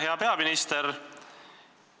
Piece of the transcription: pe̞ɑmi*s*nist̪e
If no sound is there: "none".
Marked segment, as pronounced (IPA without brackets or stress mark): none